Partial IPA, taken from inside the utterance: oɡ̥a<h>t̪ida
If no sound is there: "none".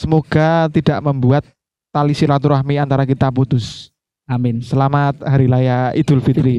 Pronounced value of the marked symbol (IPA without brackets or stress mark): none